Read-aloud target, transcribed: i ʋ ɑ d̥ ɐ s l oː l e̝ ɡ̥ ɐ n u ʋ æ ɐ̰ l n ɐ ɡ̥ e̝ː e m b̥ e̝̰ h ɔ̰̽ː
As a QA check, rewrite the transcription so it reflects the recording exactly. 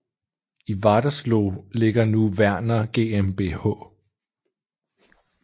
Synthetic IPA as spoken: i ʋ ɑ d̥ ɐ s l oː l e̝ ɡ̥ ɐ n u ʋ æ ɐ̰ n ɐ ɡ̥ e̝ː e m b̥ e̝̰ h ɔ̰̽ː